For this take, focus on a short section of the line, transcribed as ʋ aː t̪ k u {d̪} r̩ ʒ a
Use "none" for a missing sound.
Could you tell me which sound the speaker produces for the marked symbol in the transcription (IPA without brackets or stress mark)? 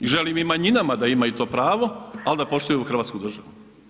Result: d̪